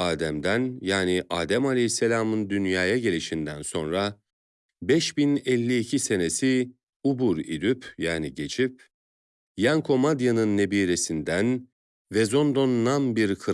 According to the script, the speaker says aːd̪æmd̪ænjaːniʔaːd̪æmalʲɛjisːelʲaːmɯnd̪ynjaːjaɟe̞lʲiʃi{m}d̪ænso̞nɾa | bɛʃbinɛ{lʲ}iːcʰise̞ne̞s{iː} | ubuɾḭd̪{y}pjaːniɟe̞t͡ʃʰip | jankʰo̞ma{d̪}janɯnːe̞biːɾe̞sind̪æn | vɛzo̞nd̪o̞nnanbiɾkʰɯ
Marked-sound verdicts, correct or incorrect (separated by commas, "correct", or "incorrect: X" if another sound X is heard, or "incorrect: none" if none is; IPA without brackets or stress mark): incorrect: n, incorrect: lʲː, incorrect: i, correct, correct